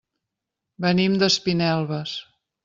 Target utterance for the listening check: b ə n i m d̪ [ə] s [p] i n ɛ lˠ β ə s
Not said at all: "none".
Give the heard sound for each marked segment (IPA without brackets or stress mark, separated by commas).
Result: ə, p